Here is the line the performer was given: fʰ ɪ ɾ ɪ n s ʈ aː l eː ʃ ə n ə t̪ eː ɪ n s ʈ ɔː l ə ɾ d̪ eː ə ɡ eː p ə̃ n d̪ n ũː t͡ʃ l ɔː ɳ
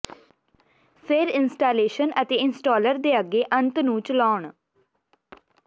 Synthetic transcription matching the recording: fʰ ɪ ɾ ɪ n s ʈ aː l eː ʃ ə n ə t̪ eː ɪ n s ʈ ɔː l ə ɾ d̪ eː ə ɡ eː ʔ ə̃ n t̪ n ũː t͡ʃ l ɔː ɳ